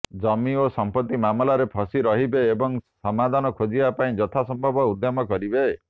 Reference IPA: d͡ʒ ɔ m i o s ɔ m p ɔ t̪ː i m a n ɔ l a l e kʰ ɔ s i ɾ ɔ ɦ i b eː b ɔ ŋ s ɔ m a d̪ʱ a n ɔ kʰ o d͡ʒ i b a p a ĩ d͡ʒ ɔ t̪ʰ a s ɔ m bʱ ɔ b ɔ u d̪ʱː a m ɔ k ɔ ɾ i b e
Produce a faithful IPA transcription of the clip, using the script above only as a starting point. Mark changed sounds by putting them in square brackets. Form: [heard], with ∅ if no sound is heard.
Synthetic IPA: d͡ʒ ɔ m i o s ɔ m p ɔ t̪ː i m a [m] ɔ l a [ɾ] e [pʰ] ɔ s i ɾ ɔ ɦ i b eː b ɔ ŋ s ɔ m a d̪ʱ a n ɔ kʰ o d͡ʒ i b a p a ĩ d͡ʒ ɔ t̪ʰ a s ɔ m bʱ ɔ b ɔ u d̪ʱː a m ɔ k ɔ ɾ i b e